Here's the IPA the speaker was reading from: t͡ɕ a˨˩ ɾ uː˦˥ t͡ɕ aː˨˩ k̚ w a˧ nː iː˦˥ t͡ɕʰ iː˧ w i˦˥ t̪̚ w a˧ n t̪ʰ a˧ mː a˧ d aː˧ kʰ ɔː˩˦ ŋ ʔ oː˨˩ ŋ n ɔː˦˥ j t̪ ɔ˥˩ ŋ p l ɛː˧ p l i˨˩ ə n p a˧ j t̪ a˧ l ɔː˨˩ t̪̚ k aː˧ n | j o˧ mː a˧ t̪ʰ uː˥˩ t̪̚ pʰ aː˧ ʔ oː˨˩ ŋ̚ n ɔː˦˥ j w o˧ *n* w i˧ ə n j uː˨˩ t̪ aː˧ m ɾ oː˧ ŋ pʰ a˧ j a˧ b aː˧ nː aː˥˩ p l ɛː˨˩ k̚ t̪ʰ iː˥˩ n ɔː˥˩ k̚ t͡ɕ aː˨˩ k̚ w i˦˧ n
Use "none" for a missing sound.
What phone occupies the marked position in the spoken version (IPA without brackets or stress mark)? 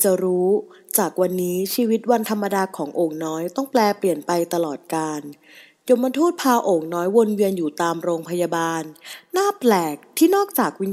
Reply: n